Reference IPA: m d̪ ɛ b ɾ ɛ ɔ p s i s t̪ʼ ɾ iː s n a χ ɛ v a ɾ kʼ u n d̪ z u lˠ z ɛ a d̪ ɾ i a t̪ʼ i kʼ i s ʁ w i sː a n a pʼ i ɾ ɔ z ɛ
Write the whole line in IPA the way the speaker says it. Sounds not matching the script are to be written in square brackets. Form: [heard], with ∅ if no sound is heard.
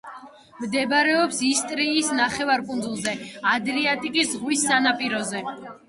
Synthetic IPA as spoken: m d̪ ɛ b ɾ ɛ ɔ p s i s t̪ʼ ɾ iː s n a χ ɛ v a ɾ kʼ u n d̪ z u lˠ z ɛ a d̪ ɾ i a t̪ʼ i kʼ i s ʁ w i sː a n a pʼ i ɾ ɔ z ɛ